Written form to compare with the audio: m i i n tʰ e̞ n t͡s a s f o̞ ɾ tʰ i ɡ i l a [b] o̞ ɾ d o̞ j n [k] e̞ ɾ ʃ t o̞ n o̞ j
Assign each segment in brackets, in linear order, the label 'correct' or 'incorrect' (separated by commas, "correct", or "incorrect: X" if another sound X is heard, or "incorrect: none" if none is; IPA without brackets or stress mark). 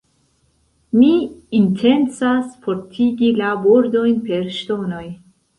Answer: correct, incorrect: p